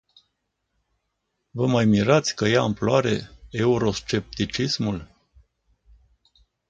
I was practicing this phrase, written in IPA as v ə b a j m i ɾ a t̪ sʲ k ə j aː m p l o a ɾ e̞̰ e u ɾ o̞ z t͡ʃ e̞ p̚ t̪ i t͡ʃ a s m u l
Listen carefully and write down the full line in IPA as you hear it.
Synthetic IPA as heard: v ə m a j m i ɾ a t̪ sʲ k ə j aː m p l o a ɾ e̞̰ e u ɾ o̞ s t͡ʃ e̞ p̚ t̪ i t͡ʃ i s m u l